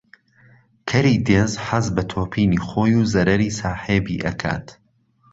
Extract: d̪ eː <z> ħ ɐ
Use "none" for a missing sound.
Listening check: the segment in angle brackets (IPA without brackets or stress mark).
z